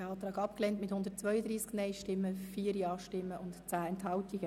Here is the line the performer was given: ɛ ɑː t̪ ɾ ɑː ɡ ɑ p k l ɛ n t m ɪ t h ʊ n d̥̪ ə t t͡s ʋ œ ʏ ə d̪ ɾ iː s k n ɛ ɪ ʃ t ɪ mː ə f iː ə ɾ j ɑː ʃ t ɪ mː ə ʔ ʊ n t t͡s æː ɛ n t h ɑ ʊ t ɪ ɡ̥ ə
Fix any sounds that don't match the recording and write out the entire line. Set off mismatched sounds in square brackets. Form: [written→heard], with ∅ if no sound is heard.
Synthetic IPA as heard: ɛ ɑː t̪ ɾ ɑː ɡ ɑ p k l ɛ n t m ɪ t h ʊ n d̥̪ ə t t͡s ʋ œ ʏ ə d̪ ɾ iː s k n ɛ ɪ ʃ t ɪ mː ə f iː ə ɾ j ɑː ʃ t ɪ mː ə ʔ ʊ n t t͡s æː ɛ n t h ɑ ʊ t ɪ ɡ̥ ə